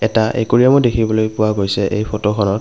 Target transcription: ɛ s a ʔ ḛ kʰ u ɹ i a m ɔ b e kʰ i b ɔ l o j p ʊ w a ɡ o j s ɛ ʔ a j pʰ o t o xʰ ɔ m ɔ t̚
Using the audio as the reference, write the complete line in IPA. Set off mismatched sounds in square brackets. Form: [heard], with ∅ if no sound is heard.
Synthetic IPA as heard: ɛ [t] a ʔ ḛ [k] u ɹ i a m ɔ [d] e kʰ i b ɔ l o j p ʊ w a ɡ o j s ɛ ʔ [e] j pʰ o t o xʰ ɔ [n] ɔ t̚